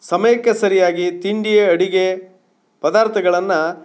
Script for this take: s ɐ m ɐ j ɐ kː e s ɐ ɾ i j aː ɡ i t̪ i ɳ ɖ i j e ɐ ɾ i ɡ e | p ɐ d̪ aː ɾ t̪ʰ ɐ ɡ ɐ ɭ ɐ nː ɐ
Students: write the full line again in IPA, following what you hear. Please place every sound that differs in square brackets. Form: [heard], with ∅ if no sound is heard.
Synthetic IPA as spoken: s ɐ m ɐ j ɐ kː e s ɐ ɾ i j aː ɡ i t̪ i ɳ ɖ i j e ɐ [ɽ] i ɡ e | p ɐ d̪ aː ɾ t̪ʰ ɐ ɡ ɐ ɭ ɐ nː ɐ